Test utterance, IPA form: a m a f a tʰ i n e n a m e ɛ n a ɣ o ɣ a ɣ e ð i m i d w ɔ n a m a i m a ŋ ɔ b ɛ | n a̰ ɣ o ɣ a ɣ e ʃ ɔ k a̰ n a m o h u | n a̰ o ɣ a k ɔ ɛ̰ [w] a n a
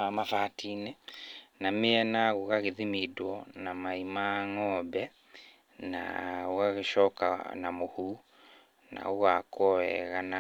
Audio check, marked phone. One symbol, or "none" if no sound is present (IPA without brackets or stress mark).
ɣ